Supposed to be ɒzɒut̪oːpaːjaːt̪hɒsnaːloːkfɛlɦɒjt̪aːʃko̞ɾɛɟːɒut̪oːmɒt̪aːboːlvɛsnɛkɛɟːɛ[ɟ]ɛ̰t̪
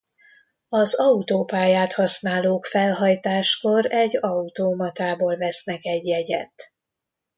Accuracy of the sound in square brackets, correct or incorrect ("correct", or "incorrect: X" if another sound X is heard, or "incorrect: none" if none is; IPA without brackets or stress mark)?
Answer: correct